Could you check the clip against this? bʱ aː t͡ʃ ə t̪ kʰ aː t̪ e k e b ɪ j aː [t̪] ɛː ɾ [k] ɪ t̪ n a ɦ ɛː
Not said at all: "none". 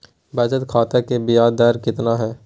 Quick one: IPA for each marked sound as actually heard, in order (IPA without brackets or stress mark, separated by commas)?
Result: d̪, k